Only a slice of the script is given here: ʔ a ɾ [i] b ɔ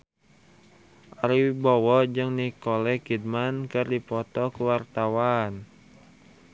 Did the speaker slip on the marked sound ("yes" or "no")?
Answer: no